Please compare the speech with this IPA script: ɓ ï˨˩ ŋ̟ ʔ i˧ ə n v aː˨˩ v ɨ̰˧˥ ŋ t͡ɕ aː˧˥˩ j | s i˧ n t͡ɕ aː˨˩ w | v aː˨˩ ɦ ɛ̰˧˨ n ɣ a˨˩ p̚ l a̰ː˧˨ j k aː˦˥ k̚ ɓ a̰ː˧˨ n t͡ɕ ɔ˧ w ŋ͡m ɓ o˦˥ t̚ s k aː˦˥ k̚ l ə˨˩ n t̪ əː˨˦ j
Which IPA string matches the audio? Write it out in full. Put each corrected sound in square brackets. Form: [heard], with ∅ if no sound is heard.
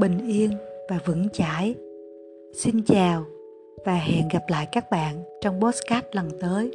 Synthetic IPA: ɓ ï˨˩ ŋ̟ ʔ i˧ ə n v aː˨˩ v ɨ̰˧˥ ŋ t͡ɕ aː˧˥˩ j | s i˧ n t͡ɕ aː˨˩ w | v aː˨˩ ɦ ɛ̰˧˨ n ɣ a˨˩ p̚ l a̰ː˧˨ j k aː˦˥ k̚ ɓ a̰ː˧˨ n t͡ɕ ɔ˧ w ŋ͡m ɓ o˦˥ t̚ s k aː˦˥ [t̚] l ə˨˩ n t̪ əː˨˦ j